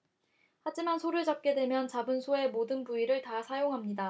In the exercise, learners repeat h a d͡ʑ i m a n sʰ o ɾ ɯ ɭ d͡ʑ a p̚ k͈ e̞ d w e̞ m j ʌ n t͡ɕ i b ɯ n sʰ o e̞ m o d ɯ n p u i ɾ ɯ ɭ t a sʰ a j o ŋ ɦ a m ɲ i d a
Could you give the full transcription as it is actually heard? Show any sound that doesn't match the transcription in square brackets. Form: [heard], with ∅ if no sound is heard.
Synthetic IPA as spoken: h a d͡ʑ i m a n sʰ o ɾ ɯ ɭ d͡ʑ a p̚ k͈ e̞ d w e̞ m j ʌ n t͡ɕ [a] b ɯ n sʰ o e̞ m o d ɯ n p u i ɾ ɯ ɭ t a sʰ a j o ŋ ɦ a m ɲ i d a